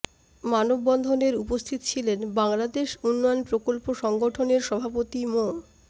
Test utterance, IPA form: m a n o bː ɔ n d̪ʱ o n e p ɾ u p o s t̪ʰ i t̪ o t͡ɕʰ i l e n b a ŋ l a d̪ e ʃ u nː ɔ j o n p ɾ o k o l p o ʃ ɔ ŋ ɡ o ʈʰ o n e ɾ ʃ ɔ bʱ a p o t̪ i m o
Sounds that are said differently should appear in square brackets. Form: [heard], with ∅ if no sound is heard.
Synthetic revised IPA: m a n o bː ɔ n d̪ʱ o n e [∅] ɾ u p o s t̪ʰ i t̪ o t͡ɕʰ i l e n b a ŋ l a d̪ e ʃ u nː ɔ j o n p ɾ o k o l p o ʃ ɔ ŋ ɡ o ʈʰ o n e ɾ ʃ ɔ bʱ a p o t̪ i m o